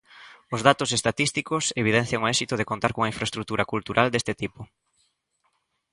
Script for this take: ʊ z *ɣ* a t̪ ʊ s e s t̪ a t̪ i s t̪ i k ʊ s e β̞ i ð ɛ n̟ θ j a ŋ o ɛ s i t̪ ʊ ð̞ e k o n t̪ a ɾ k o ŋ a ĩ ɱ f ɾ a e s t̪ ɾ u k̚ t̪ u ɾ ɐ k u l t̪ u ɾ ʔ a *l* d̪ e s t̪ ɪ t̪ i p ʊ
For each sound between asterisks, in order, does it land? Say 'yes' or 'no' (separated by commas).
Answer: no, yes